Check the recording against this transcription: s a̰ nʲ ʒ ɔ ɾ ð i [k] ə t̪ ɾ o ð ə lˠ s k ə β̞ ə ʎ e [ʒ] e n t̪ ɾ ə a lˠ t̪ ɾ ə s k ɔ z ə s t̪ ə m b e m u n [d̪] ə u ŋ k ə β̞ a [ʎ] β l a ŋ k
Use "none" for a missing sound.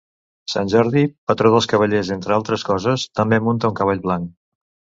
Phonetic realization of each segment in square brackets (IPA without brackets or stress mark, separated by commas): p, z, t̪, ʎ